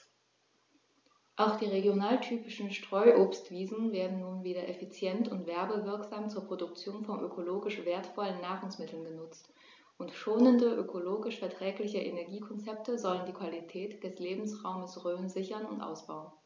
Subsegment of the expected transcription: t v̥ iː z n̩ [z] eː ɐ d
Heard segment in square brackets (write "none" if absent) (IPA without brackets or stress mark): v